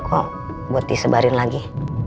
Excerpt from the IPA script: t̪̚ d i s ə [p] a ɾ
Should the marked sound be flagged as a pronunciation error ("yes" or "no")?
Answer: yes